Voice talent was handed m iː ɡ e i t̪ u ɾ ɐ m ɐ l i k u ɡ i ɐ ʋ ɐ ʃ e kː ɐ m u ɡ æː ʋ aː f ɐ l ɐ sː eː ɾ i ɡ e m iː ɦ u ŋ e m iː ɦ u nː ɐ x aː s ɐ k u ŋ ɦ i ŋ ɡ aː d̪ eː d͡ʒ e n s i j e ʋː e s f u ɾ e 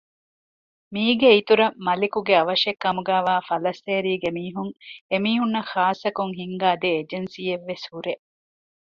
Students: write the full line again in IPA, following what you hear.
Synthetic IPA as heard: m iː ɡ e i t̪ u ɾ ɐ m ɐ l i k u ɡ e ɐ ʋ ɐ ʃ e kː ɐ m u ɡ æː ʋ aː f ɐ l ɐ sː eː ɾ iː ɡ e m iː ɦ u ŋ e m iː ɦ u nː ɐ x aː s ɐ k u ŋ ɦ i ŋ ɡ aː d̪ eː d͡ʒ e n s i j e ʋː e s h u ɾ e